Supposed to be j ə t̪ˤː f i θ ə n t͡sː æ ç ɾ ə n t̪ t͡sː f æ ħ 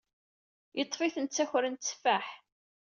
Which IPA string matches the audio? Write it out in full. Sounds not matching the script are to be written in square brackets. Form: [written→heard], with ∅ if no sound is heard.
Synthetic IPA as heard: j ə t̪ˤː f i θ ə n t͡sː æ ç ɾ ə n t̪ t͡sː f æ ħ